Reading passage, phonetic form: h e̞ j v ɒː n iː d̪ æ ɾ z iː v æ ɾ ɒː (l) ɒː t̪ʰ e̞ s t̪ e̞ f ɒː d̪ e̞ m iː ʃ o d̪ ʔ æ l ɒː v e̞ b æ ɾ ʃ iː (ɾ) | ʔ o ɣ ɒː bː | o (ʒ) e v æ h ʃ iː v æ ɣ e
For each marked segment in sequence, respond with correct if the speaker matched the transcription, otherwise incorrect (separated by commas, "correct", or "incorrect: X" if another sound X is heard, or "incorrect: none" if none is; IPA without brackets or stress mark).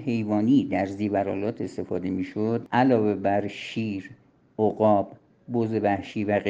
correct, correct, incorrect: z